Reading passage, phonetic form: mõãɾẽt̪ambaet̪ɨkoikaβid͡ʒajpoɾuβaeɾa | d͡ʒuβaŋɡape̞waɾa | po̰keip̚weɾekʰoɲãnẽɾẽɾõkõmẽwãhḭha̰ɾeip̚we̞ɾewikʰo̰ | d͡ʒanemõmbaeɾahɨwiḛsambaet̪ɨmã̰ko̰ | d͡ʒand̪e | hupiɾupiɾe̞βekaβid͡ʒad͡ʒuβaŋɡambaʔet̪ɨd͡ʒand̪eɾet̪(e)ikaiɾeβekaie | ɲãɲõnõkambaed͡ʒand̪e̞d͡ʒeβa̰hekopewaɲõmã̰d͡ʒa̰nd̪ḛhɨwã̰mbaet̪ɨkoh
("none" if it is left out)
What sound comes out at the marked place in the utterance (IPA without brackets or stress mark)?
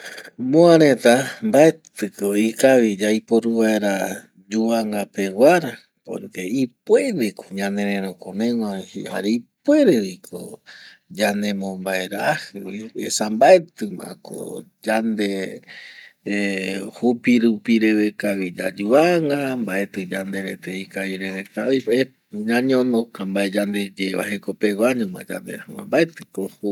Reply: e